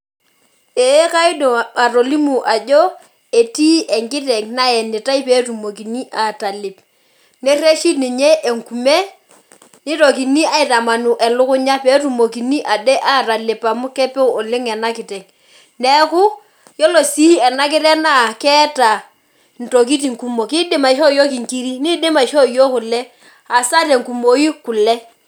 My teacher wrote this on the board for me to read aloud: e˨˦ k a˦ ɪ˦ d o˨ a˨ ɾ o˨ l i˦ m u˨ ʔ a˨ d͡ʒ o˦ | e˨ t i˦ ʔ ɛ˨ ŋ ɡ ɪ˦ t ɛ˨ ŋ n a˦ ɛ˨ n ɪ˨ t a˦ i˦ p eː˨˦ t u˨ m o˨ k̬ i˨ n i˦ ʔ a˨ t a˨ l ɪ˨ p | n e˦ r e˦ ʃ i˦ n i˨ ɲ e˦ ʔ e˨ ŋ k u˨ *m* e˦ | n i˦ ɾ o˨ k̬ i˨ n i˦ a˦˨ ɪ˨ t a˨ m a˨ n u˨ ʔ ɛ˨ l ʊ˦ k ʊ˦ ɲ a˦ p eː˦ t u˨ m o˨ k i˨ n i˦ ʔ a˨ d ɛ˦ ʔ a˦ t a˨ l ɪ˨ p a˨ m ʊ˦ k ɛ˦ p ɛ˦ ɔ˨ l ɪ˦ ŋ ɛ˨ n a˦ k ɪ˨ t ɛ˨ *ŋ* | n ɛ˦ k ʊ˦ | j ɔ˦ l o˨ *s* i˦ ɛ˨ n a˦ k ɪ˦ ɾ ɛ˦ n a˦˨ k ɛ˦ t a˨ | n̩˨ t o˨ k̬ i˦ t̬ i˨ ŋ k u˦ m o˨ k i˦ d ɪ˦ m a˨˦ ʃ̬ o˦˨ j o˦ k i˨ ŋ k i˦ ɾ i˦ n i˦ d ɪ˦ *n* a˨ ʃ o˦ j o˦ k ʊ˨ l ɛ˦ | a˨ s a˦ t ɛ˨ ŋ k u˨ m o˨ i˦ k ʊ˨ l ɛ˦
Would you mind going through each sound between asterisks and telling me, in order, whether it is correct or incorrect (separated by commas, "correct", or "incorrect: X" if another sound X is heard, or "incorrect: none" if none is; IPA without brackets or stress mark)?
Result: correct, correct, correct, incorrect: m